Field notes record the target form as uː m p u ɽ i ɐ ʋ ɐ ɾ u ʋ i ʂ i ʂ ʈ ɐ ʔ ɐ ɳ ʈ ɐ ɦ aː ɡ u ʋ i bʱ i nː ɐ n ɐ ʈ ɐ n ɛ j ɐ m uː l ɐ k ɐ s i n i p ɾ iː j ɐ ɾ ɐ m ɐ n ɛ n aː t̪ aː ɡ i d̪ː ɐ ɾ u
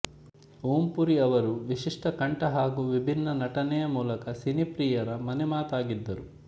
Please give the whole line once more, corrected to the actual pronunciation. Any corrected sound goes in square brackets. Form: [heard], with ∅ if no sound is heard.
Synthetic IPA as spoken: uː m p u [ɾ] i ɐ ʋ ɐ ɾ u ʋ i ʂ i ʂ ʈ ɐ [k] ɐ ɳ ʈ ɐ ɦ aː ɡ u ʋ i bʱ i nː ɐ n ɐ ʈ ɐ n ɛ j ɐ m uː l ɐ k ɐ s i n i p ɾ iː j ɐ ɾ ɐ m ɐ n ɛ [m] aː t̪ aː ɡ i d̪ː ɐ ɾ u